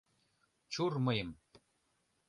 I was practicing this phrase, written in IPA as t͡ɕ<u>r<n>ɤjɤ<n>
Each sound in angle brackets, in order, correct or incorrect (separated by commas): correct, incorrect, incorrect